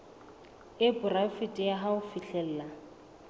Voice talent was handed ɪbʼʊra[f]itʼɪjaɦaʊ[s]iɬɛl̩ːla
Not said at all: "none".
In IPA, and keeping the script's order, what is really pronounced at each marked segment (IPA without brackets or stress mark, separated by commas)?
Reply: f, f